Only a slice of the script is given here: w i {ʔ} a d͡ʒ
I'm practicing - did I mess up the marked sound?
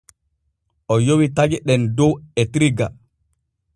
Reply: yes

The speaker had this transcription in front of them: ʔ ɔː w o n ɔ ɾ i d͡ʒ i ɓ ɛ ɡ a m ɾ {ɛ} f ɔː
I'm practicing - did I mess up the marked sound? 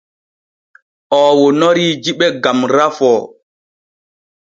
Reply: yes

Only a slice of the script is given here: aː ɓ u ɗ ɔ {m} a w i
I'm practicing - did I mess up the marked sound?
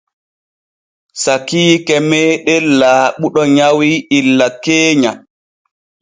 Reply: yes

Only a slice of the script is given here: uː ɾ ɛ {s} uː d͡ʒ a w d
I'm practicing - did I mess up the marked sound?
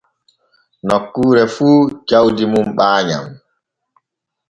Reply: yes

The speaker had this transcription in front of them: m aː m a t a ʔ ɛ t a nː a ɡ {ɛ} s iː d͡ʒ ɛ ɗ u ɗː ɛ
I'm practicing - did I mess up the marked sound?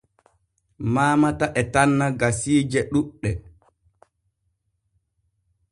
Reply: yes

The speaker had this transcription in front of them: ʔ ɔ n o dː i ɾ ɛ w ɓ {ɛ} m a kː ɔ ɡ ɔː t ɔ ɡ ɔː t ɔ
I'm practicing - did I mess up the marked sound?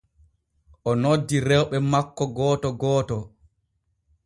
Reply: no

